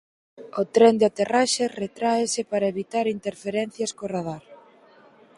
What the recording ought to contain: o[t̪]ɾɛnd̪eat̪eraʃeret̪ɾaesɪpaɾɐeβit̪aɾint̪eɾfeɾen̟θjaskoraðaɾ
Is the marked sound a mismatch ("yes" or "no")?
no